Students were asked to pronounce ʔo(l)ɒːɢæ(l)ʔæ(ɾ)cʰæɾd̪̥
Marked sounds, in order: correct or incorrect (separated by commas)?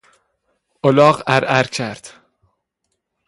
correct, incorrect, correct